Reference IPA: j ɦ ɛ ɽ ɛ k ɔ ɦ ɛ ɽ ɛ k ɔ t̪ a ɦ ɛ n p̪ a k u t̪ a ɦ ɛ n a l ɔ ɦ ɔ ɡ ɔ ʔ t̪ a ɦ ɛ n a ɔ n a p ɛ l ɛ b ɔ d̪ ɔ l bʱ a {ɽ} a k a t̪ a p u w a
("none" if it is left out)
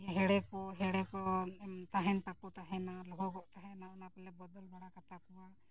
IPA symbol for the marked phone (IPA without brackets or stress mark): ɽ